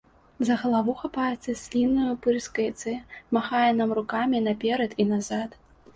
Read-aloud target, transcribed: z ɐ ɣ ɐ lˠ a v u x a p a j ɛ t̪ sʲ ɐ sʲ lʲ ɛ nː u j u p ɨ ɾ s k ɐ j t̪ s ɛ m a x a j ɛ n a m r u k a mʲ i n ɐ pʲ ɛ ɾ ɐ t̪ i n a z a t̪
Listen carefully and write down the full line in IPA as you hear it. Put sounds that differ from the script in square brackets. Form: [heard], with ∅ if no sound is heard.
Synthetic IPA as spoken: z ɐ ɣ ɐ lˠ a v u x a p a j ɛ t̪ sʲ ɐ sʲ lʲ [i] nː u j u p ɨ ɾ s k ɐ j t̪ s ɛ m a x a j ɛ n a m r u k a mʲ i n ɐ pʲ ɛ ɾ ɐ t̪ i n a z a t̪